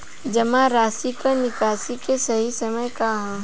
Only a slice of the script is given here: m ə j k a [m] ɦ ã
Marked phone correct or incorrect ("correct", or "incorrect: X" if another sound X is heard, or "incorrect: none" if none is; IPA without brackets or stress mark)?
incorrect: none